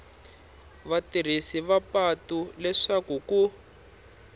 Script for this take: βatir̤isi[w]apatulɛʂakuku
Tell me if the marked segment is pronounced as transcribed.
no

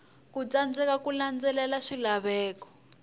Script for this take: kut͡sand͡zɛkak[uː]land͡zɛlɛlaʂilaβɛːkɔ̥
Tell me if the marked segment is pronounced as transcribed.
no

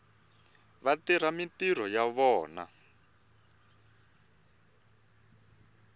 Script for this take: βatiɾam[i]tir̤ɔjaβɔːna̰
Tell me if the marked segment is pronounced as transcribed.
yes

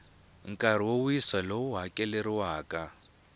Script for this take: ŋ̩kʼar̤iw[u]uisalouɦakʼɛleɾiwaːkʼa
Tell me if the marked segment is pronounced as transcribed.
no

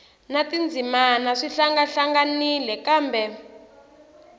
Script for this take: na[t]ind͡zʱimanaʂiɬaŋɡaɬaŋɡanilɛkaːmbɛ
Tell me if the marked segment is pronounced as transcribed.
yes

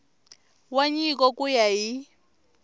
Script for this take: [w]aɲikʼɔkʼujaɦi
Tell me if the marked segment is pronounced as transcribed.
yes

